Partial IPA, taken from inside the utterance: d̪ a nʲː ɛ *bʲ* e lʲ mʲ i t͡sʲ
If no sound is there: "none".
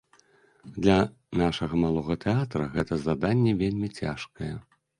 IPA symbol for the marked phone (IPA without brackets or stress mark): vʲ